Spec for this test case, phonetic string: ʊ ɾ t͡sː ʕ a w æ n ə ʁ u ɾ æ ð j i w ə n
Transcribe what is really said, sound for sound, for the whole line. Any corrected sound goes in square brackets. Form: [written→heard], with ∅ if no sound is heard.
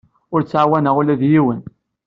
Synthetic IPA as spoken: ʊ ɾ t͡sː ʕ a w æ n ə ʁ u [ɾ→l] æ ð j i w ə n